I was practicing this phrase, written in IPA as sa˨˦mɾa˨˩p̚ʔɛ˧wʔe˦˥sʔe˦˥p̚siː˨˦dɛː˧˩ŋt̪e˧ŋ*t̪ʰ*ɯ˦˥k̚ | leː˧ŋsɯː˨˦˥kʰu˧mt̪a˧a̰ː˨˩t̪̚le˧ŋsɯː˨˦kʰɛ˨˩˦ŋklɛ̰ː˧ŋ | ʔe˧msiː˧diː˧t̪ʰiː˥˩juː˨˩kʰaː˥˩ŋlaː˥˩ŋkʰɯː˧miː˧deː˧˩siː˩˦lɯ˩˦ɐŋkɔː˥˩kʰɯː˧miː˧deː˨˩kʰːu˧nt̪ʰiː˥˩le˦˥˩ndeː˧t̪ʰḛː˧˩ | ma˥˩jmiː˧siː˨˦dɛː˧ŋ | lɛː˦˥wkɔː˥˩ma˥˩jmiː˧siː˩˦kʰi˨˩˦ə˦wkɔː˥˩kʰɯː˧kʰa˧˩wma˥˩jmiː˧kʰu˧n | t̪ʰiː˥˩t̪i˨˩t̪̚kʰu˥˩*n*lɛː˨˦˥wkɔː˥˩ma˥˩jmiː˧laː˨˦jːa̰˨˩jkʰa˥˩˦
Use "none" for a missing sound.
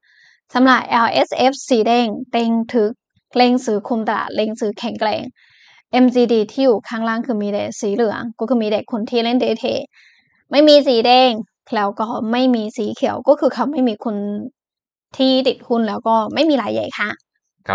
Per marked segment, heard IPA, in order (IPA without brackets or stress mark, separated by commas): t̪ʰ, n